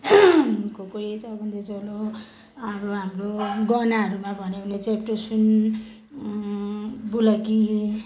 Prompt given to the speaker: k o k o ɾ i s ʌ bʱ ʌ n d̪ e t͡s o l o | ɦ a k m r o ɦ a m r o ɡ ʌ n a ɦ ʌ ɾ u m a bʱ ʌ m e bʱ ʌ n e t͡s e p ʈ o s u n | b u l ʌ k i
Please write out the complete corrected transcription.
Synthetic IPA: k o k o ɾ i t͡s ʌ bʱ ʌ n d̪ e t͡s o l o | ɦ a m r o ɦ a m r o ɡ ʌ n a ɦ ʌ ɾ u m a bʱ ʌ n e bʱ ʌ n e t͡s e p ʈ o s u n | b u l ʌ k i